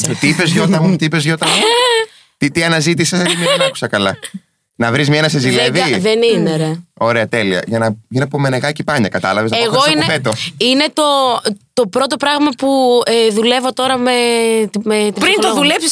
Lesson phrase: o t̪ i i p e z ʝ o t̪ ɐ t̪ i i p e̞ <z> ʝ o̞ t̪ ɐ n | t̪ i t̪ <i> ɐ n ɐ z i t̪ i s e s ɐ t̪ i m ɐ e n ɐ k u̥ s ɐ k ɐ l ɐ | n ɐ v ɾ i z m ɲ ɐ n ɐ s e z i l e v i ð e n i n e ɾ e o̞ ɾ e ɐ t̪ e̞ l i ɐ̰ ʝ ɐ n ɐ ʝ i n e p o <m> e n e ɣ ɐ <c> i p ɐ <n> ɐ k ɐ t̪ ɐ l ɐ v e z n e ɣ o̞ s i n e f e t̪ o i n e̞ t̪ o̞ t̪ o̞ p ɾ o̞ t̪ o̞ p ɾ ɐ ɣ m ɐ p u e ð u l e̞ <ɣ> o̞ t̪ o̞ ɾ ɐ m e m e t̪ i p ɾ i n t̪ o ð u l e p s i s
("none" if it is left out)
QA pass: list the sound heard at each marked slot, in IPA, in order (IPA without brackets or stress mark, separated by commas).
z, i, m, c, ɲ, v